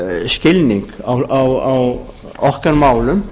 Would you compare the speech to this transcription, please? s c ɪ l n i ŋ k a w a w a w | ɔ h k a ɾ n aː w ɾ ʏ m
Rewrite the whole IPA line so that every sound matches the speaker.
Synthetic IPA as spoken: s c ɪ l n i ŋ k a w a w a w | ɔ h k a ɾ m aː w l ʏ m